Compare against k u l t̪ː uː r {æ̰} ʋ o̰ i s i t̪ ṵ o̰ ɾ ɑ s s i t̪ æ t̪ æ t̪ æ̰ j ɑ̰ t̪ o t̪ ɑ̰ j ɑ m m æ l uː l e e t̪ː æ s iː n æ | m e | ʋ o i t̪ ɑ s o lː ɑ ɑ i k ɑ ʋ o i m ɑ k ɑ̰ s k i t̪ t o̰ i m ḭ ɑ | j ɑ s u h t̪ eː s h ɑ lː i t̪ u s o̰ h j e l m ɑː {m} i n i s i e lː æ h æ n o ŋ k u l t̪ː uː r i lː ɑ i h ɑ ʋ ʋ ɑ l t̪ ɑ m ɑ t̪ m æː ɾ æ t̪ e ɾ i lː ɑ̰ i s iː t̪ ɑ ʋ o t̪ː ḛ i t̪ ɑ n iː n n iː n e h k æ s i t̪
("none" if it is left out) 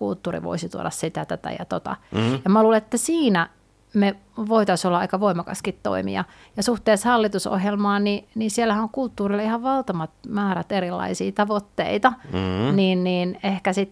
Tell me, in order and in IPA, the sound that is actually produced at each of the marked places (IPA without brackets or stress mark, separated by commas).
ḭ, n